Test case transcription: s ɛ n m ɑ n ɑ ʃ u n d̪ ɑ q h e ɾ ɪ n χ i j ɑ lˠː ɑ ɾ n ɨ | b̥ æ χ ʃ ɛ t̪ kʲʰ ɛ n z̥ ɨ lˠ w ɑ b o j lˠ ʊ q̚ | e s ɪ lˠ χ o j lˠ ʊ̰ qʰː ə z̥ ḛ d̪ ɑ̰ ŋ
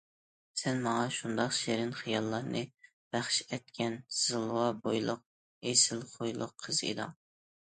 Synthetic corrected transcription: s ɛ n m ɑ ŋ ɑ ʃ u n d̪ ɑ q ʃ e ɾ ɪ n χ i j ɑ lˠː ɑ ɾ n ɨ | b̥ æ χ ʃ ɛ t̪ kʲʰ ɛ n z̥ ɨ lˠ w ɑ b o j lˠ ʊ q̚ | e s ɪ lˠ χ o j lˠ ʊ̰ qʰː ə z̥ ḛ d̪ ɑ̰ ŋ